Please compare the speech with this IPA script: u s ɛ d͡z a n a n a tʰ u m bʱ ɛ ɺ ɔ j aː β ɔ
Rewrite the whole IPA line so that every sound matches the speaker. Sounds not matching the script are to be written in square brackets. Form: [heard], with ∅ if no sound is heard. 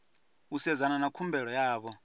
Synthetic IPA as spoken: u s ɛ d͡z a n a n a [kʰ] u m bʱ ɛ ɺ ɔ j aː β ɔ